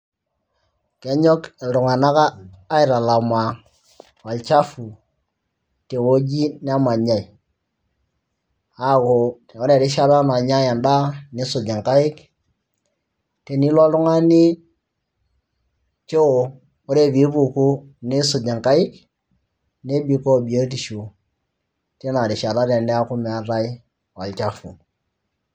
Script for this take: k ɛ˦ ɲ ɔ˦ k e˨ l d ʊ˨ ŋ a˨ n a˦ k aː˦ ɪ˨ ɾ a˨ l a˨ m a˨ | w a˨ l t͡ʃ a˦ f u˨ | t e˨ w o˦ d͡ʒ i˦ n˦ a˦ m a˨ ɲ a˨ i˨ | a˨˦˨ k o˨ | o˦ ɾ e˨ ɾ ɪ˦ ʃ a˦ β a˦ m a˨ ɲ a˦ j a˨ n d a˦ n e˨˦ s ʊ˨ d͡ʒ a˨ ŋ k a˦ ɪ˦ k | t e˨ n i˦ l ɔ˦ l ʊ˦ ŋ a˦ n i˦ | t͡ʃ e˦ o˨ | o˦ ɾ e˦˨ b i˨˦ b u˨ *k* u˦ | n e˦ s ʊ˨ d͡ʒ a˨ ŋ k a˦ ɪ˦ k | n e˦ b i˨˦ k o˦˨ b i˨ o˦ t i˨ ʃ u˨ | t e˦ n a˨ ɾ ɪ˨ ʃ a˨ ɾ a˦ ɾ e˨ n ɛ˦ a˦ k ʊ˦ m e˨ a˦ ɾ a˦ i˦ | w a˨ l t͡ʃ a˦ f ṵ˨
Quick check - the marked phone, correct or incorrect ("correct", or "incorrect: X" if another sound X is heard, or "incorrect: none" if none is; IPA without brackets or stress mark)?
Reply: correct